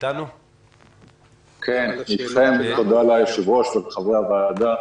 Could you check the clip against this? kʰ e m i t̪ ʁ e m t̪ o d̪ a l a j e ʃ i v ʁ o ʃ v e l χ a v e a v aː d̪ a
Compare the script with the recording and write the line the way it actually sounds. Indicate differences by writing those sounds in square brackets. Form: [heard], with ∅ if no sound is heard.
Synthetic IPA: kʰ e [n] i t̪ [χ] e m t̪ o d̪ a l a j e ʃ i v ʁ o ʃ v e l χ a v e a v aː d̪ a